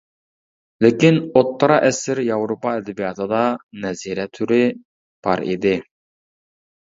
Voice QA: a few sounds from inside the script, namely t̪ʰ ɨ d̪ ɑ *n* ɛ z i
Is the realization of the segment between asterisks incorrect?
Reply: no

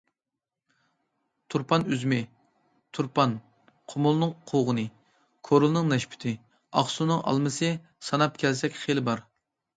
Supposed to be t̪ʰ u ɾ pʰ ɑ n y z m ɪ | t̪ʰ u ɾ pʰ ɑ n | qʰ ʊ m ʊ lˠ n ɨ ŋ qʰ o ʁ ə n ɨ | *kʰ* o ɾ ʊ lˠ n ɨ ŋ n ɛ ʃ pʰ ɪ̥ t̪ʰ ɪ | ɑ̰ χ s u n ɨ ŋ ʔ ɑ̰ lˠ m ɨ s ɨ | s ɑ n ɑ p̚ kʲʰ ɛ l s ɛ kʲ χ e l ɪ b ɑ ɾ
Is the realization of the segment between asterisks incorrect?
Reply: no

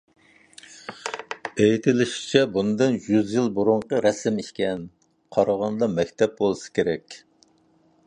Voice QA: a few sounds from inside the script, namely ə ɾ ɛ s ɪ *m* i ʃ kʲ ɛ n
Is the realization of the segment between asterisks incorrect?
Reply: no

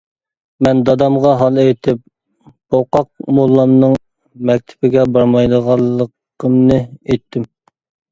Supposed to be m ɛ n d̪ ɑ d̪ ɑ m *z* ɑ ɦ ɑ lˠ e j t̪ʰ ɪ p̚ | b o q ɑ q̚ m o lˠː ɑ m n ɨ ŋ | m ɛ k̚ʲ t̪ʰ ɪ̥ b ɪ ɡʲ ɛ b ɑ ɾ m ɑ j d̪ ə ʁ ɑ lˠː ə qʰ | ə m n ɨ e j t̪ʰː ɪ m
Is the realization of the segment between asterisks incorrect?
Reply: yes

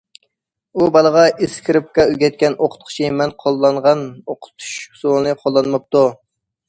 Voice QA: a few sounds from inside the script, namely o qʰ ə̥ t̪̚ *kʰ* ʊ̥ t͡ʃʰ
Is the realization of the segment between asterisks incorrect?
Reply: yes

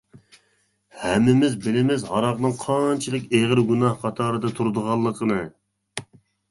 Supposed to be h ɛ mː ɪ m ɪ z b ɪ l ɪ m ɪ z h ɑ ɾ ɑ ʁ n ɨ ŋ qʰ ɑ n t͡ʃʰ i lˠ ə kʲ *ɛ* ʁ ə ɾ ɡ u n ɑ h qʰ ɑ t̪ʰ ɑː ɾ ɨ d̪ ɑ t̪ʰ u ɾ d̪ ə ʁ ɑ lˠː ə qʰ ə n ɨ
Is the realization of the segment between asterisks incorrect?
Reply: yes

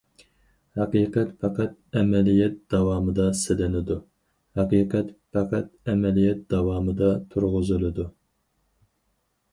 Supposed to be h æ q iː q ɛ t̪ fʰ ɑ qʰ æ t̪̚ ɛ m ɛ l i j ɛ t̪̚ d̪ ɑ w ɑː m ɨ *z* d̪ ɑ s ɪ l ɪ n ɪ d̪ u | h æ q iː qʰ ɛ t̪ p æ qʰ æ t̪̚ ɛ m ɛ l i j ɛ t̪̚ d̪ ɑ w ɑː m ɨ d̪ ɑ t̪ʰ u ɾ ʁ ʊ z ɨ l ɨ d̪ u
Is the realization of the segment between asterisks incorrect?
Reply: yes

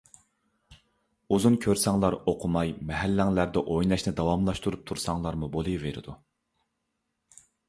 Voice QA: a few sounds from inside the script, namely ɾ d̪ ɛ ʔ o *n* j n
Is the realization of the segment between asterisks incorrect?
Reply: yes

